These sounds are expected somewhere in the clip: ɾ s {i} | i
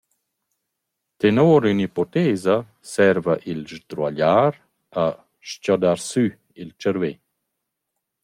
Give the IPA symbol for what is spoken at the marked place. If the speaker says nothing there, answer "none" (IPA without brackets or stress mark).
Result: y